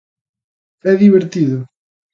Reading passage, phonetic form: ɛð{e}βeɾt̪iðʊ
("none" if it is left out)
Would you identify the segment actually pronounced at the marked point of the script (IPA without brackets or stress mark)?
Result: i